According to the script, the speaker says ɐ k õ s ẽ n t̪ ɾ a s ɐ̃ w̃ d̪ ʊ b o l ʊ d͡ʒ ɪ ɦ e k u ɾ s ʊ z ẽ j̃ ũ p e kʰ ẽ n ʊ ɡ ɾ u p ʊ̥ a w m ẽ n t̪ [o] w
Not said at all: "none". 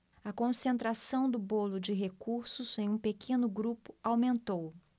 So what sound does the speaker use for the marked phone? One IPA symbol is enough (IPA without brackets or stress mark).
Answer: o